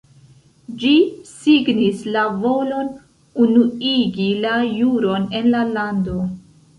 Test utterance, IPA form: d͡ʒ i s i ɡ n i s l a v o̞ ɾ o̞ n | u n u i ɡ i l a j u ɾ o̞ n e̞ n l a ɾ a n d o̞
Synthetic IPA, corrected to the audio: d͡ʒ i s i ɡ n i s l a v o̞ l o̞ n | u n u i ɡ i l a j u ɾ o̞ n e̞ n l a l a n d o̞